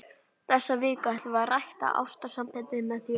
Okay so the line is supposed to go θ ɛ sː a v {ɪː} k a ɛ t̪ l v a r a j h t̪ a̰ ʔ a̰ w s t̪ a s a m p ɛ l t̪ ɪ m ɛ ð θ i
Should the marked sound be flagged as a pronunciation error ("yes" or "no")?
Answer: no